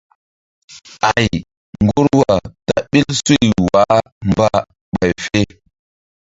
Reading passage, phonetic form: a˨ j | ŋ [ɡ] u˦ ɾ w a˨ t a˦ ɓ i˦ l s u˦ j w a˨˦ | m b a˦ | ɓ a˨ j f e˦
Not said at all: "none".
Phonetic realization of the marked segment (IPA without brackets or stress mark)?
ɡ